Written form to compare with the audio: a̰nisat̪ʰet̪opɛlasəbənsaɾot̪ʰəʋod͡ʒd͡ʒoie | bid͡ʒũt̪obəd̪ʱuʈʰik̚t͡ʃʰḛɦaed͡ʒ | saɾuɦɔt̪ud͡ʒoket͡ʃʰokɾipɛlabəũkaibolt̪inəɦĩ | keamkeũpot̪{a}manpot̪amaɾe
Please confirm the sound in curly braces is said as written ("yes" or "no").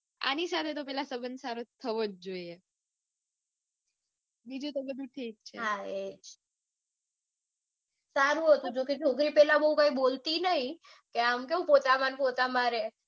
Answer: yes